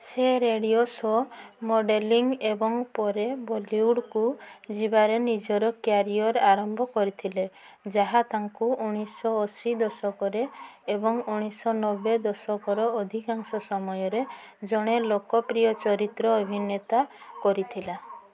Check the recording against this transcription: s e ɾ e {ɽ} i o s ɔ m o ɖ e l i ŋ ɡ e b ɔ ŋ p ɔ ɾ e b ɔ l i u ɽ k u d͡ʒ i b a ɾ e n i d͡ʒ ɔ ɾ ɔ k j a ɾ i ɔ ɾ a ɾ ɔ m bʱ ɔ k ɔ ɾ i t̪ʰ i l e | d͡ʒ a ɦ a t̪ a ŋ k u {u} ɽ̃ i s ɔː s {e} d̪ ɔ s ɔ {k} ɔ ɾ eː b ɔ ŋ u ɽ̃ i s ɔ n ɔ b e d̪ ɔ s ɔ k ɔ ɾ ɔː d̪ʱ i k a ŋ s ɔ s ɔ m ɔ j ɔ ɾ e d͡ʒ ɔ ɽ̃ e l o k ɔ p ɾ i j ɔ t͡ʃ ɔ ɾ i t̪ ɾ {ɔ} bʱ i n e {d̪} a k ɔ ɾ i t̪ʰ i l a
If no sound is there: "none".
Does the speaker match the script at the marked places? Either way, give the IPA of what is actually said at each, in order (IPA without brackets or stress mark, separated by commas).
ɽ, u, i, k, ɔː, t̪